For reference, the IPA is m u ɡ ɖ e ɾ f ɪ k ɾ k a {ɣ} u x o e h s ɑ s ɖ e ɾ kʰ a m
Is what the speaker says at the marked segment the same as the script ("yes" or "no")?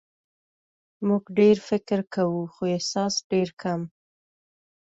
no